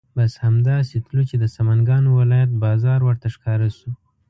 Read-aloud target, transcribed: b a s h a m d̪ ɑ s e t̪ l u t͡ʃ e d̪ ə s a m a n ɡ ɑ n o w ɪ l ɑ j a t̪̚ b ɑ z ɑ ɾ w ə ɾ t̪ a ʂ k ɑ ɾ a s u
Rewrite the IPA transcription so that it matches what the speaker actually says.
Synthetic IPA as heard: b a s h a m d̪ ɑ s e t̪ l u t͡ʃ e d̪ ə s a m a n ɡ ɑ n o w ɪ l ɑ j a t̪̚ b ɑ z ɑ ɾ w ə ɾ t̪ a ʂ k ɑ ɾ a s u